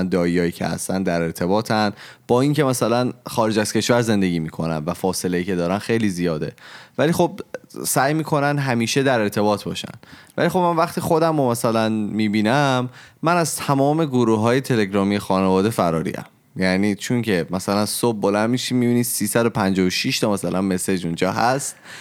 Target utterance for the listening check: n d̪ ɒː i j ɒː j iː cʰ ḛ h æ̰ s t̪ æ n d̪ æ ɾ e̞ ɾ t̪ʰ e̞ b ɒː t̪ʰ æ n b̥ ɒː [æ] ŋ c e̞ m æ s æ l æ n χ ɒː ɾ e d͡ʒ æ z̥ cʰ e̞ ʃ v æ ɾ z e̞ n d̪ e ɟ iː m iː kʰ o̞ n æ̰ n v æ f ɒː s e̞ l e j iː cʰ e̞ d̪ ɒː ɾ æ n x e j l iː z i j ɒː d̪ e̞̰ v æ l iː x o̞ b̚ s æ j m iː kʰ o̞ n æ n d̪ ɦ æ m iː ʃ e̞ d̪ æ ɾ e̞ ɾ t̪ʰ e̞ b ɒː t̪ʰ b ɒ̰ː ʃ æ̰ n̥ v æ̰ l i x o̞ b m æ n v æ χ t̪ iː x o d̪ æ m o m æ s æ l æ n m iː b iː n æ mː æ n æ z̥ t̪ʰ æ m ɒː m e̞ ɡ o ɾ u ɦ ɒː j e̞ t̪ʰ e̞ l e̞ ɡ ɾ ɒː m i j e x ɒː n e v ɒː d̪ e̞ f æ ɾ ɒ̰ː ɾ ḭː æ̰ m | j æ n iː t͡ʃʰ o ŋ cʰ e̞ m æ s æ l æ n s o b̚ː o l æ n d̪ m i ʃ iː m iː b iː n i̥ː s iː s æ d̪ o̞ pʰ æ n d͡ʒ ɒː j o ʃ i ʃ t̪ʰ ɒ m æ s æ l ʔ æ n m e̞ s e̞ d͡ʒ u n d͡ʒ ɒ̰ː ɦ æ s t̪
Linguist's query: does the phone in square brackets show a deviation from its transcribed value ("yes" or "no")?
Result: yes